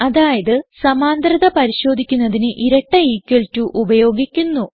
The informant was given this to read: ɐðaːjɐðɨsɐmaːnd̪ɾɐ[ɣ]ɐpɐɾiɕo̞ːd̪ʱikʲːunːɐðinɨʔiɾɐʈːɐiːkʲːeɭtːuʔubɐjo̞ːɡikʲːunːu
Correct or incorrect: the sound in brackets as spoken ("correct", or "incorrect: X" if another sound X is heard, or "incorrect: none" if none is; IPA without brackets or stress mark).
incorrect: ð